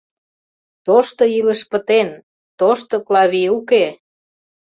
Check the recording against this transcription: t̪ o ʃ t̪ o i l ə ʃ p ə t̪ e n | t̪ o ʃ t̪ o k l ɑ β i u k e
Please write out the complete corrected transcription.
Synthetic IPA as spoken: t̪ o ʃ t̪ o i l ə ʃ p ə t̪ e n | t̪ o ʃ t̪ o k l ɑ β i u k e